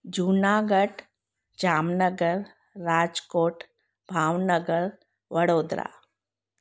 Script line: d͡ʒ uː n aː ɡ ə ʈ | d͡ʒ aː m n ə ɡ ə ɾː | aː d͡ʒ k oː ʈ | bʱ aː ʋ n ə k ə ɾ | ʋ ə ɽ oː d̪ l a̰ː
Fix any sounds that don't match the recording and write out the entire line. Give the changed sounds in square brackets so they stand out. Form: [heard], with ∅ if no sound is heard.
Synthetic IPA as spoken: d͡ʒ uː n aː ɡ ə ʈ | d͡ʒ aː m n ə ɡ ə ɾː | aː d͡ʒ k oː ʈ | bʱ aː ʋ n ə [ɡ] ə ɾ | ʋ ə ɽ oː d̪ [ɾ] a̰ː